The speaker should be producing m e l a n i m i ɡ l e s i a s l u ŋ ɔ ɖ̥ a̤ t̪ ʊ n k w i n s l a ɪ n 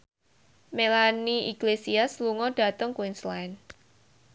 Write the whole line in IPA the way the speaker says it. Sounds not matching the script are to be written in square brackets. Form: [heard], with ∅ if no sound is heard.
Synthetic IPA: m e l a n i [∅] i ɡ l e s i a s l u ŋ ɔ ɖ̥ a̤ t̪ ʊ [ŋ] k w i n s l a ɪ n